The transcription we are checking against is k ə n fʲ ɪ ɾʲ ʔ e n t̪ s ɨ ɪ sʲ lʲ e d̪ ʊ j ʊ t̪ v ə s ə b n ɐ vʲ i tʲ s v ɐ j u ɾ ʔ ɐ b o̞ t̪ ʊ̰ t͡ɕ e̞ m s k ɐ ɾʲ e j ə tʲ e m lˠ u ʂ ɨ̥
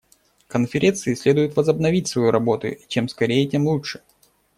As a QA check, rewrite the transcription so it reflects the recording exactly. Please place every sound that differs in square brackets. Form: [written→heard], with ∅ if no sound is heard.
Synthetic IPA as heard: k ə n fʲ ɪ ɾʲ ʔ e n t̪ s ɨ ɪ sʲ lʲ e d̪ ʊ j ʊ t̪ v ə [s→z] ə b n ɐ vʲ i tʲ s v ɐ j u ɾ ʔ ɐ b o̞ t̪ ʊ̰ t͡ɕ e̞ m s k ɐ ɾʲ e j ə tʲ e m lˠ u ʂ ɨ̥